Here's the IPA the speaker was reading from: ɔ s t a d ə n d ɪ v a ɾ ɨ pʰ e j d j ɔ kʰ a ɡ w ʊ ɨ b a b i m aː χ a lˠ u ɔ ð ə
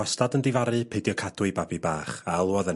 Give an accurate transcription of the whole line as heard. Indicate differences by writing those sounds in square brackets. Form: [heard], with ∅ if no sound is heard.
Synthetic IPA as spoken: ɔ s t a d ə n d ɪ v a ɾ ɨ pʰ e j d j ɔ kʰ a [d] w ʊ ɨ b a b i [b] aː χ a lˠ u ɔ ð ə